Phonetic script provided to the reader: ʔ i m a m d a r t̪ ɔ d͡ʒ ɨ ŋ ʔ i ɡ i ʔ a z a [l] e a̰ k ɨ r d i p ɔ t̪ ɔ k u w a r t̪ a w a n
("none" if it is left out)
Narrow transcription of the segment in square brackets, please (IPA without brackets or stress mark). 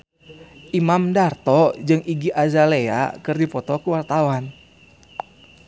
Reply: l